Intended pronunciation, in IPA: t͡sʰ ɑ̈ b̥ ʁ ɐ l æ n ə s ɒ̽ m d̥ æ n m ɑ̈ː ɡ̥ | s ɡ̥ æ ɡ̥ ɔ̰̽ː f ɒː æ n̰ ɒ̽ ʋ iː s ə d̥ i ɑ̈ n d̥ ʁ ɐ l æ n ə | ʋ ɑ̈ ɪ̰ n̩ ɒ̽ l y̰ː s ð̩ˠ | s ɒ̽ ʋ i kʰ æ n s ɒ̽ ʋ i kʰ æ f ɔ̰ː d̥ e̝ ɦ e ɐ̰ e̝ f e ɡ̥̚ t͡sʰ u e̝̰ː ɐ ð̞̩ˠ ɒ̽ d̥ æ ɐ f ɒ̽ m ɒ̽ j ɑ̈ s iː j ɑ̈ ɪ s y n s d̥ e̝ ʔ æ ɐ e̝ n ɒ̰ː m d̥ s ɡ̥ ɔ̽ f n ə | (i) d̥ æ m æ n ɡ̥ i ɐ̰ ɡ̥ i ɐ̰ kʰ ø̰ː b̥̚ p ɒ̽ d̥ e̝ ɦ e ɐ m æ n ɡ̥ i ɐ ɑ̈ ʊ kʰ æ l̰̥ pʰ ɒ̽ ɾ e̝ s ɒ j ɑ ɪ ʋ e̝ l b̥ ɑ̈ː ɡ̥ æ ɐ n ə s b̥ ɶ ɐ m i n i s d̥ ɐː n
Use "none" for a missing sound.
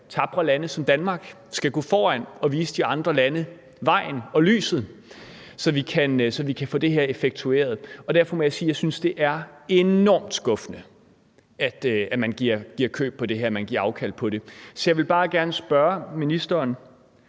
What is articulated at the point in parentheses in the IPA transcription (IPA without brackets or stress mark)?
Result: æ